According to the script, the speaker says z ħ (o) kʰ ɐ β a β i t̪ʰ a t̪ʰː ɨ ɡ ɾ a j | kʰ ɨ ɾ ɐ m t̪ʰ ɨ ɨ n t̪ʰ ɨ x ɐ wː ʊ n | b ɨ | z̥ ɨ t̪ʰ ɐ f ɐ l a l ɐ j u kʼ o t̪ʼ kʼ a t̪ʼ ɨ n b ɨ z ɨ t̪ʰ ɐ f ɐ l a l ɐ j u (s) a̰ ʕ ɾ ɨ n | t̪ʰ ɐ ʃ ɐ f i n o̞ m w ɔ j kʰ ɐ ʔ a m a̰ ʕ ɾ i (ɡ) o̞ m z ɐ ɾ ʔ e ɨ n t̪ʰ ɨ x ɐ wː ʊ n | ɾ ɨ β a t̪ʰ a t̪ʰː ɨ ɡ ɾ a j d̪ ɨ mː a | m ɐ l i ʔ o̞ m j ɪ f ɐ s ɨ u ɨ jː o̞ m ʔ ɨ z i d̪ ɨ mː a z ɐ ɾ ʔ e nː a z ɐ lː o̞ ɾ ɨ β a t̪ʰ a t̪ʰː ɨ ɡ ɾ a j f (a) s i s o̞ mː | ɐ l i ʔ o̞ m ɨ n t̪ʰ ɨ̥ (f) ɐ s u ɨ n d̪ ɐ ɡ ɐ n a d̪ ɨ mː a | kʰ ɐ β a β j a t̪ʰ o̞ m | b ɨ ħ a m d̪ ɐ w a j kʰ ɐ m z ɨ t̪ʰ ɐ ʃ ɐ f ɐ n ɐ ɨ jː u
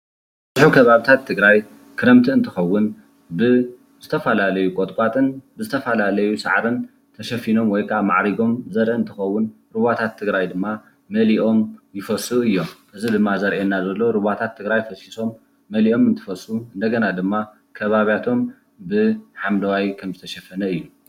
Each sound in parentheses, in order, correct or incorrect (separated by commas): incorrect, correct, correct, incorrect, correct